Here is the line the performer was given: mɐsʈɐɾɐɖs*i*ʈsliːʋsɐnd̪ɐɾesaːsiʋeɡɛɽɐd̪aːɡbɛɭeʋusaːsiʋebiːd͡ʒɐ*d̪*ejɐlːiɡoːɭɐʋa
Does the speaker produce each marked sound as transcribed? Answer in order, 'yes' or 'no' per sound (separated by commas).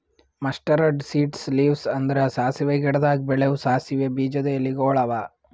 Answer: no, yes